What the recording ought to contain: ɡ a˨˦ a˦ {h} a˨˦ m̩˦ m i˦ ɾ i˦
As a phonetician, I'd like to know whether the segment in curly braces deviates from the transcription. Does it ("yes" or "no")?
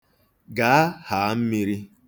no